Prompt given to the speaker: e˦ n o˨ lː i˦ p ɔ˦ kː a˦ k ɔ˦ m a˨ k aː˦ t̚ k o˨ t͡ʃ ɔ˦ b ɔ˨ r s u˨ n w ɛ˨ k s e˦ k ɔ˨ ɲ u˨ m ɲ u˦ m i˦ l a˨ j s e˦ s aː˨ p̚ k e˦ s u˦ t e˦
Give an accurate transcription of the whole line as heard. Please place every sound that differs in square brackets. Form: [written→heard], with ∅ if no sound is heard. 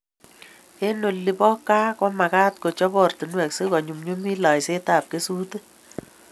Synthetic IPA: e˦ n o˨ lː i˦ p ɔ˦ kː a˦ k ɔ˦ m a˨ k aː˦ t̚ k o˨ t͡ʃ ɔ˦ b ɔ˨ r [s→t] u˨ n w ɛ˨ k s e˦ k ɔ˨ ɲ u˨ m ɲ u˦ m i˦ l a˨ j s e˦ [s→t] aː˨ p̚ k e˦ s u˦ t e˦